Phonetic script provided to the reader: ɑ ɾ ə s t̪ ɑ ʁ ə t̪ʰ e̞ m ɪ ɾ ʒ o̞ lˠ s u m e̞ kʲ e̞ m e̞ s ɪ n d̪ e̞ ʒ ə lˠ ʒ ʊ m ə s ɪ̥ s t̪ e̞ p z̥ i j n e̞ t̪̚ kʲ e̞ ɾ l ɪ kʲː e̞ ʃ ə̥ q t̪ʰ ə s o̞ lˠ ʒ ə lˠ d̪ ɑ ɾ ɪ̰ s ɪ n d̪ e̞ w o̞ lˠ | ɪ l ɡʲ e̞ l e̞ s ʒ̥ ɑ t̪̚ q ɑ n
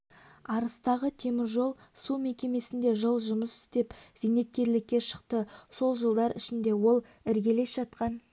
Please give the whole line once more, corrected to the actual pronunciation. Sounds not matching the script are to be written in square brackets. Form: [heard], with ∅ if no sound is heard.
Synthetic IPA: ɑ ɾ ə s t̪ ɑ ʁ ə t̪ʰ e̞ m ɪ ɾ ʒ o̞ lˠ s u m e̞ kʲ e̞ m e̞ s ɪ n d̪ e̞ ʒ ə lˠ ʒ ʊ m ə s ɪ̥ s t̪ e̞ p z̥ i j n e̞ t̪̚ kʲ e̞ ɾ l ɪ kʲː e̞ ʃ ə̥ q [t̪] ə s o̞ lˠ ʒ ə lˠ d̪ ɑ ɾ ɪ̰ [ʃ] ɪ n d̪ e̞ w o̞ lˠ | ɪ [ɾ] ɡʲ e̞ l e̞ s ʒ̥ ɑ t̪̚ q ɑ n